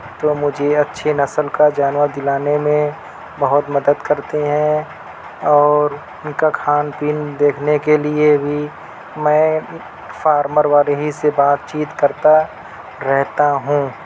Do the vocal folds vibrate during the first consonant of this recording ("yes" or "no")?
no